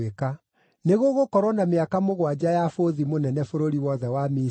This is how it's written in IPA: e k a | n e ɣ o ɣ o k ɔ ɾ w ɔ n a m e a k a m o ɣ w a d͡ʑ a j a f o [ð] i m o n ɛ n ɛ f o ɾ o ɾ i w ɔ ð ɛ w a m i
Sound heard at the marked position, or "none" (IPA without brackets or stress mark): ð